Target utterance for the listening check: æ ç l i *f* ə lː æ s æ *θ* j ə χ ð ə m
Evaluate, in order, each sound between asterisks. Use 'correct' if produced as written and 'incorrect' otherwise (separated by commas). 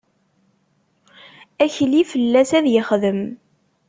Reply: correct, incorrect